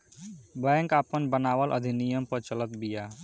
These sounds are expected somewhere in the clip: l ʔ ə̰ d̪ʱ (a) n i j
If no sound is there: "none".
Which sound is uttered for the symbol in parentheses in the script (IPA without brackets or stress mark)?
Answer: i